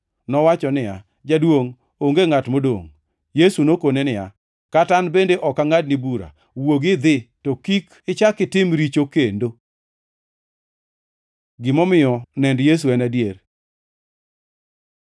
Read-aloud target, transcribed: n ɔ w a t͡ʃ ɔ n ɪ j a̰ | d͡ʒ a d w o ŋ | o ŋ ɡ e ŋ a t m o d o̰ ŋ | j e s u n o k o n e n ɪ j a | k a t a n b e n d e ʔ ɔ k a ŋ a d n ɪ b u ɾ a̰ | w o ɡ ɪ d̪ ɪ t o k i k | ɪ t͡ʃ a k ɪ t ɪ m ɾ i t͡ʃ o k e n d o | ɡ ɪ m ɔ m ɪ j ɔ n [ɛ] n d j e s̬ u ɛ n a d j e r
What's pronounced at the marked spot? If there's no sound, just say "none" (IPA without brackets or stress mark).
ɛ